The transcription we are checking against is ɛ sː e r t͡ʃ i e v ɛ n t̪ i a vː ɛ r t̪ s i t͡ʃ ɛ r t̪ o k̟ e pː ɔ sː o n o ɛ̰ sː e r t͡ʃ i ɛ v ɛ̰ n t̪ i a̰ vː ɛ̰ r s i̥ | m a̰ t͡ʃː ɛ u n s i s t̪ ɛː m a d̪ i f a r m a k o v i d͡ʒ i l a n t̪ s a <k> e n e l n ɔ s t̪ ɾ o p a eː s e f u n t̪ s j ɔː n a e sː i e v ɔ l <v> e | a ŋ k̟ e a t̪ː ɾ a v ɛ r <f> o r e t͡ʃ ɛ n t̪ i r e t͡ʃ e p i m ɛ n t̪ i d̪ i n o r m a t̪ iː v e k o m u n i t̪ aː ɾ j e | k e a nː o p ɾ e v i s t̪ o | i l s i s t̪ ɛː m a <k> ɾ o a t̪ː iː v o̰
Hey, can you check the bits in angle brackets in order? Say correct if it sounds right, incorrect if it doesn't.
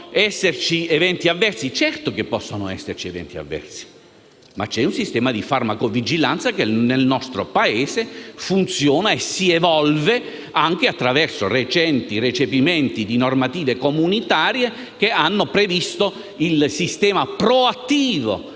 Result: correct, correct, incorrect: s, incorrect: p

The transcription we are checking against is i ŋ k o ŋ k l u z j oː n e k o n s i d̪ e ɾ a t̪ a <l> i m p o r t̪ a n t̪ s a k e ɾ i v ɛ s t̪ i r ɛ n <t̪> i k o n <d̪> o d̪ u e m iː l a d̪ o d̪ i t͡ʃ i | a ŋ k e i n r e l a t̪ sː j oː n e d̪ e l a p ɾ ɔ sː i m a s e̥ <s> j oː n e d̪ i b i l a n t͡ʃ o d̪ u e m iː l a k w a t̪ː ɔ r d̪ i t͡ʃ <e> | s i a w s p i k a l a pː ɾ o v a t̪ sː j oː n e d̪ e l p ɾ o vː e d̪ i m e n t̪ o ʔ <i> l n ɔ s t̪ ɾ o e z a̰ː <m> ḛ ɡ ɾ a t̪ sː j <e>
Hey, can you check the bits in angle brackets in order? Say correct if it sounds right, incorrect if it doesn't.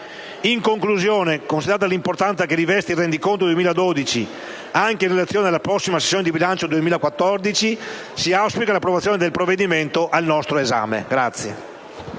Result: correct, incorrect: d̪, incorrect: t̪, incorrect: sː, incorrect: i, incorrect: a, correct, correct

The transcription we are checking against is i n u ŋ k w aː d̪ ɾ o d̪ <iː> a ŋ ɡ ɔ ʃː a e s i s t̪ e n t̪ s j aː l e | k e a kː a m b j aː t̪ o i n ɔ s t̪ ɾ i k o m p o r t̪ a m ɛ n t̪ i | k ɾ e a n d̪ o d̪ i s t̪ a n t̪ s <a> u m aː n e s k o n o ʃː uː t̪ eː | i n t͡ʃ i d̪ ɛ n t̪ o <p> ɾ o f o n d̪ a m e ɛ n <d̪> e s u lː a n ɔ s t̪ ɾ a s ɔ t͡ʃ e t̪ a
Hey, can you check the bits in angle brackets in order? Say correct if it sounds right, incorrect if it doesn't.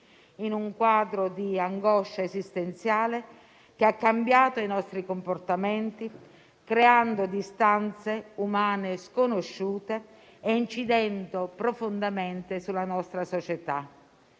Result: incorrect: i, incorrect: e, correct, incorrect: t̪

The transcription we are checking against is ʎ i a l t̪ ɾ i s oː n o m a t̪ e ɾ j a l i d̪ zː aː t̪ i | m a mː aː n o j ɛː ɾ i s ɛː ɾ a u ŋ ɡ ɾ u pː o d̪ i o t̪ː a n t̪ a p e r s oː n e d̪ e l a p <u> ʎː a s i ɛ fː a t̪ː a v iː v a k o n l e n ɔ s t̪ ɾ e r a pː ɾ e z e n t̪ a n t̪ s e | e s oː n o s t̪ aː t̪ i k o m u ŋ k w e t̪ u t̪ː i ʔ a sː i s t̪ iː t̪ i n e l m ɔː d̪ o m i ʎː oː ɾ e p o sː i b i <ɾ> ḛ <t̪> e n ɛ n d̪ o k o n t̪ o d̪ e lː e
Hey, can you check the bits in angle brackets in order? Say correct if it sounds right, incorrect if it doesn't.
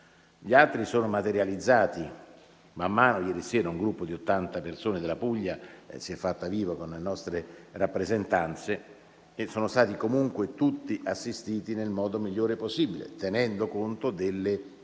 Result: correct, incorrect: l, correct

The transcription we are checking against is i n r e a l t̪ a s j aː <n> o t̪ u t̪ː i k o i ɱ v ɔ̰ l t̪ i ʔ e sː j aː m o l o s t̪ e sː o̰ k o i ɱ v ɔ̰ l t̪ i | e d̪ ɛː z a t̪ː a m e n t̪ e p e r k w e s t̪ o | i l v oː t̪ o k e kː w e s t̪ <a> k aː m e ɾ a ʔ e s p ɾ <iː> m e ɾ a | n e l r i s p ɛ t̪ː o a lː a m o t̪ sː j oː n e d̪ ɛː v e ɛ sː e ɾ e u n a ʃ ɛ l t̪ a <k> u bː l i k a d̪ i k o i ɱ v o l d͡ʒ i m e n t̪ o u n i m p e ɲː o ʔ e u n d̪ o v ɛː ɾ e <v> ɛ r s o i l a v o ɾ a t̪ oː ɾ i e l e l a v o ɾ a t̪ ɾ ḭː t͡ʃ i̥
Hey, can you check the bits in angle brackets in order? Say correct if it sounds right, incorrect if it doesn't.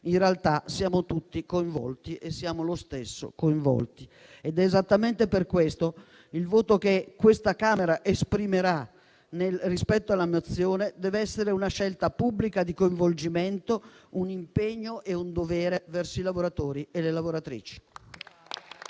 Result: incorrect: m, correct, incorrect: i, incorrect: p, correct

